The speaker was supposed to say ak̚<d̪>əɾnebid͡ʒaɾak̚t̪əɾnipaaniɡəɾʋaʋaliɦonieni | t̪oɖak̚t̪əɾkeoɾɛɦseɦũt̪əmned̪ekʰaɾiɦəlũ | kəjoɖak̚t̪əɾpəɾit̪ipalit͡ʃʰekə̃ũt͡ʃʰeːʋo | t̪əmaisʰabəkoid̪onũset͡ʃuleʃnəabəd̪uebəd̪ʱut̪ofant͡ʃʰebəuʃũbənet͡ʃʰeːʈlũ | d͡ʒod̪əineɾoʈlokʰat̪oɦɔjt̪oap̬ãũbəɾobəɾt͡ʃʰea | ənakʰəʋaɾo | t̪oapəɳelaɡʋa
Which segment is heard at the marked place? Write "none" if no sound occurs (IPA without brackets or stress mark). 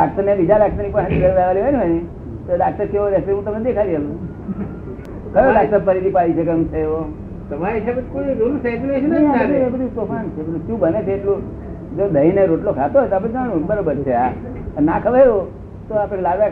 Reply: t̪